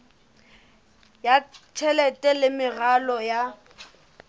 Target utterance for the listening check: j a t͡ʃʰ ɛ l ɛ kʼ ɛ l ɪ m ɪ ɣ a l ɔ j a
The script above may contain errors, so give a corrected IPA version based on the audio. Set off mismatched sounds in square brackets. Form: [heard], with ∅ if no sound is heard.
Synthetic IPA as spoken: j a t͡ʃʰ ɛ l ɛ [tʼ] ɛ l ɪ m ɪ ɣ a l ɔ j a